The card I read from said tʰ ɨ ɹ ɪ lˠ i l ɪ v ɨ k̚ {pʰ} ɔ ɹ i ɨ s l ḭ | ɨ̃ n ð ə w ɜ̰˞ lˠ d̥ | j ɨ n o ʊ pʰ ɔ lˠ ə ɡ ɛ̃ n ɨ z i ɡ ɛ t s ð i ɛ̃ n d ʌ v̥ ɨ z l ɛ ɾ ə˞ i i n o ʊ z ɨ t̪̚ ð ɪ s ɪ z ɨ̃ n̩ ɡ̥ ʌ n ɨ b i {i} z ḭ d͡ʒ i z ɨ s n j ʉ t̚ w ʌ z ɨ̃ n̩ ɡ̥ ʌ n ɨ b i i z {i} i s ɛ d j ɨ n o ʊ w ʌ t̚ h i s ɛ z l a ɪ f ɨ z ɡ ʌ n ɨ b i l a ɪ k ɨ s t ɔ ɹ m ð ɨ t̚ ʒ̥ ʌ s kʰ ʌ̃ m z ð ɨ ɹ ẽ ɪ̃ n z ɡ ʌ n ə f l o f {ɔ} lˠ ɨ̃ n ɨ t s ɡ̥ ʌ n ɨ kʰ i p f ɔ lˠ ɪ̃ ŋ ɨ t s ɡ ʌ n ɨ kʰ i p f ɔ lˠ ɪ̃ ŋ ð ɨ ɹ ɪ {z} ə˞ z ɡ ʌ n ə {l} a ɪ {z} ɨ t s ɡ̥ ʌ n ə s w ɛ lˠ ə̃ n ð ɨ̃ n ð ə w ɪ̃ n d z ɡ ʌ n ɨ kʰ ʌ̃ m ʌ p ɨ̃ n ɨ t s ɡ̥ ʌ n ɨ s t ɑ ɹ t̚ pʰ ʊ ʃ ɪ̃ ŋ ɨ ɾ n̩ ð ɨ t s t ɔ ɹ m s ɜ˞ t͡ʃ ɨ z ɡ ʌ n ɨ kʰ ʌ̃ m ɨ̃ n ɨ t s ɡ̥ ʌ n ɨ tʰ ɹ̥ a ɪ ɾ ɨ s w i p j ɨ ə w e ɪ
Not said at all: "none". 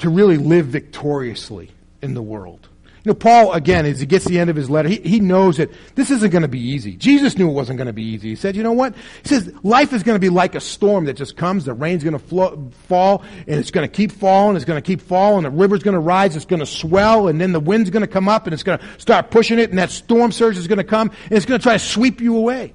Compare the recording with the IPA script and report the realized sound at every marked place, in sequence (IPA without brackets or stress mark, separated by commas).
tʰ, i, i, ɔ, v, ɹ, z